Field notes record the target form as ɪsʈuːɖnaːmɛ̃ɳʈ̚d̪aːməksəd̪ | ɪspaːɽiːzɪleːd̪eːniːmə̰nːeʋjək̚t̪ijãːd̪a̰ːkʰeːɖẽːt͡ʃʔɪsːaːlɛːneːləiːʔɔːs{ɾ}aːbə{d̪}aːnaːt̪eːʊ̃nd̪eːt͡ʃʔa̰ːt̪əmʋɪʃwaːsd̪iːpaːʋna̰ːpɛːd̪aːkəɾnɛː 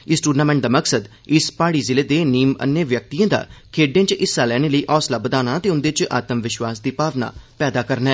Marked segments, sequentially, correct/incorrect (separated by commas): incorrect, correct